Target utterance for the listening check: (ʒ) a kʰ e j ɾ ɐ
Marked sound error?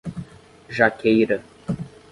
no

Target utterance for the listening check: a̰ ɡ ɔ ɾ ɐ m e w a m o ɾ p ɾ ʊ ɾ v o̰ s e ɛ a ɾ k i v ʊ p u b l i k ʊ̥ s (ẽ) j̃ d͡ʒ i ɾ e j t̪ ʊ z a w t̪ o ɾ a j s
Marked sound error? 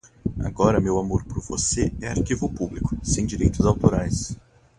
no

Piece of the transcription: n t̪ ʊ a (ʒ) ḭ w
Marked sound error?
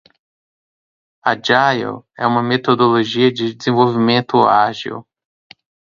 no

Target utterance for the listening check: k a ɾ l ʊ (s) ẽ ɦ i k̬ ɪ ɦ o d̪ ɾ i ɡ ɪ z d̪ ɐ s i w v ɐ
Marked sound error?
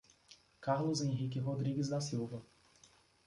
yes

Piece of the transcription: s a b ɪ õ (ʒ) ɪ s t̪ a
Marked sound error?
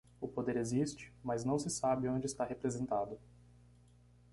yes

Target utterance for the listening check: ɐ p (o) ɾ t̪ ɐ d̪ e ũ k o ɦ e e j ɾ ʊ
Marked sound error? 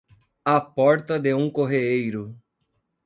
yes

